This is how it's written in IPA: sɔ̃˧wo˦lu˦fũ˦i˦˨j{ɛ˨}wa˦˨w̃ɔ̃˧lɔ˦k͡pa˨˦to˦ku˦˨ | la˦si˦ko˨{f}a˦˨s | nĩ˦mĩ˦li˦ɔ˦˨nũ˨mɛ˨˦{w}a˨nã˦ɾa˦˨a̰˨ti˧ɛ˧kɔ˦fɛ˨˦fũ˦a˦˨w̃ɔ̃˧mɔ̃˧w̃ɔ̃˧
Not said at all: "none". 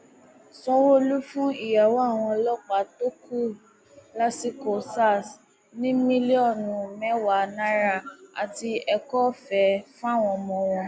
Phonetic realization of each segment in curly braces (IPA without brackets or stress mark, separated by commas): a˨, s, w